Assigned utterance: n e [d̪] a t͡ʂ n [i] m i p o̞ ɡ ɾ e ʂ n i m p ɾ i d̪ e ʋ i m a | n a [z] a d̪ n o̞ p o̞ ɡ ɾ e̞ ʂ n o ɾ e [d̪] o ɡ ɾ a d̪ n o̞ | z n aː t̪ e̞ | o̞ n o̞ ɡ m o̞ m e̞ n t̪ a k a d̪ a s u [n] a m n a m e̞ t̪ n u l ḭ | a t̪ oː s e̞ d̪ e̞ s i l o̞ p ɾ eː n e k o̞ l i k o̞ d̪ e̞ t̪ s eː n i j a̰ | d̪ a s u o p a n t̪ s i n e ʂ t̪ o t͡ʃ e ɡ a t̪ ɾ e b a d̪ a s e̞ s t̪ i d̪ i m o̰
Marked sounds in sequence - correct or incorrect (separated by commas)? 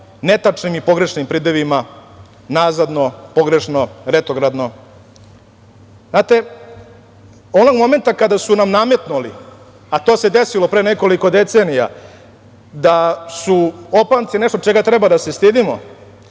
incorrect, correct, correct, incorrect, correct